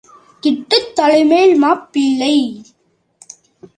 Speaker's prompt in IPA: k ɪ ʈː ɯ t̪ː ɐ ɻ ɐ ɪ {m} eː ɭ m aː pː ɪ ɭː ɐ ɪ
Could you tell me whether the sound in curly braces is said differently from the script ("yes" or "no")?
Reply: no